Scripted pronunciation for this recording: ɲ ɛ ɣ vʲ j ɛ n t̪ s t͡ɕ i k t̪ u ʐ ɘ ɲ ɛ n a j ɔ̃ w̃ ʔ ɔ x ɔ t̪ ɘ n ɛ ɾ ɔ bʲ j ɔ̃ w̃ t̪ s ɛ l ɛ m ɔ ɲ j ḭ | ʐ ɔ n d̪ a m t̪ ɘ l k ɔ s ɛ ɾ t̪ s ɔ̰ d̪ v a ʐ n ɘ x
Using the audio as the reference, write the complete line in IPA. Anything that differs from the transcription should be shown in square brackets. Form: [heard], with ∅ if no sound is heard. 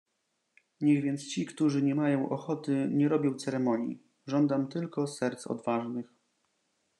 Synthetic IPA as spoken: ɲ ɛ ɣ vʲ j ɛ n t̪ s t͡ɕ i k t̪ u ʐ ɘ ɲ ɛ [m] a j ɔ̃ w̃ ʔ ɔ x ɔ t̪ ɘ [ɲ] ɛ ɾ ɔ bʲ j ɔ̃ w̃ t̪ s ɛ [ɾ] ɛ m ɔ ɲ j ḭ | ʐ ɔ n d̪ a m t̪ ɘ l k ɔ s ɛ ɾ t̪ s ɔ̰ d̪ v a ʐ n ɘ x